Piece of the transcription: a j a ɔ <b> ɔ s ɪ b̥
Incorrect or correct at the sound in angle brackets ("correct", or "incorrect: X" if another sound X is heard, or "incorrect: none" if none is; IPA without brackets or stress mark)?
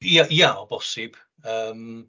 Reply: correct